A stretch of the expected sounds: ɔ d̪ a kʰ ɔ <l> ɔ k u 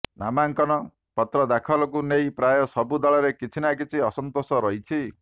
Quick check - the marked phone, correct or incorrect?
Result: correct